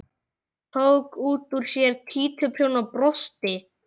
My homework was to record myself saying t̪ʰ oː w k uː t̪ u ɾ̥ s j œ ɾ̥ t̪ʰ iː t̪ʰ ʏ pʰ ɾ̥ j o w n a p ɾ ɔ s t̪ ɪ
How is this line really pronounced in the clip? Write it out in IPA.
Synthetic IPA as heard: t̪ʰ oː w k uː t̪ u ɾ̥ s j ɛ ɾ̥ t̪ʰ iː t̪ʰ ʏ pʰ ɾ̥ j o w n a p ɾ ɔ s t̪ ɪ